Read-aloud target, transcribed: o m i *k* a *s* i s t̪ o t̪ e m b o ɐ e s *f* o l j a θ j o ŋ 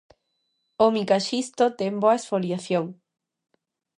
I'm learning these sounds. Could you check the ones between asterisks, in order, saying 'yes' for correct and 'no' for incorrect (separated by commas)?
yes, no, yes